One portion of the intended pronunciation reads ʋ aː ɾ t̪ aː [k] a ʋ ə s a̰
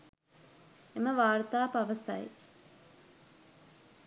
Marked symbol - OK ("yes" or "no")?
no